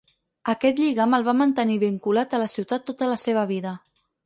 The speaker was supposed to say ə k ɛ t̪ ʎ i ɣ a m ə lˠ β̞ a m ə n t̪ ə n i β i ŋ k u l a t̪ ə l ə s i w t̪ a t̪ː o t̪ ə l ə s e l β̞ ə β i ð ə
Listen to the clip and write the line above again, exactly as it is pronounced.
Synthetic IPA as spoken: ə k ɛ t̪ ʎ i ɣ a m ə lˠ β̞ a m ə n t̪ ə n i β i ŋ k u l a t̪ ə l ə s i w t̪ a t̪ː o t̪ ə l ə s e β̞ ə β i ð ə